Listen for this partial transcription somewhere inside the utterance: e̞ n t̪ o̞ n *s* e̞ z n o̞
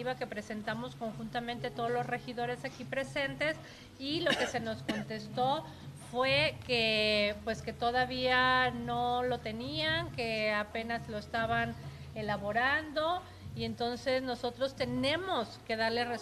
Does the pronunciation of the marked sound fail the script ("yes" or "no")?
no